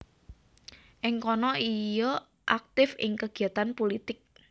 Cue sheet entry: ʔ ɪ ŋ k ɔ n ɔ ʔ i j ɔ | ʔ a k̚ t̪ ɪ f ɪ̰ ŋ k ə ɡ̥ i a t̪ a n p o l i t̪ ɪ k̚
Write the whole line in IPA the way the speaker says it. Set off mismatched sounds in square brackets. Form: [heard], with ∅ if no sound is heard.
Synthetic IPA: ʔ ɪ ŋ k ɔ n ɔ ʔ i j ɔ | ʔ a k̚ t̪ ɪ f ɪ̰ ŋ k ə ɡ̥ i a t̪ a n p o l i t̪ ɪ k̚